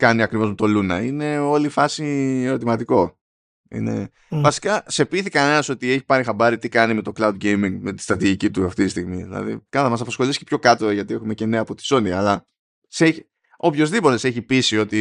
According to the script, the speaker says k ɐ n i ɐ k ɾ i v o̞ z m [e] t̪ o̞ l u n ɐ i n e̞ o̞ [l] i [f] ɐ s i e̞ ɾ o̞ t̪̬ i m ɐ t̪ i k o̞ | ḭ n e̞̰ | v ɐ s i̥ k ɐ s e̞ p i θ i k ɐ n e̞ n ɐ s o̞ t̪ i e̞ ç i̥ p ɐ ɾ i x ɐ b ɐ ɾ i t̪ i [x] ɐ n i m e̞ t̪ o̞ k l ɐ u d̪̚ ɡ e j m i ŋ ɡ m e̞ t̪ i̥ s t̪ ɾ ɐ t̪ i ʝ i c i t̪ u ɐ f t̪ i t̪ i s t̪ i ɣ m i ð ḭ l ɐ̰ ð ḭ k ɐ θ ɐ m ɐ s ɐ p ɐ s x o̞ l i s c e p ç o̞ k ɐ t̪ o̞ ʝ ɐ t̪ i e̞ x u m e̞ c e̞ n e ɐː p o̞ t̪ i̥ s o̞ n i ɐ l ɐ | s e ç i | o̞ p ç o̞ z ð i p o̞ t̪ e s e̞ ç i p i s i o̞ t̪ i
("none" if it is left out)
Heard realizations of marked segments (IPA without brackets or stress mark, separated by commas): e, l, f, k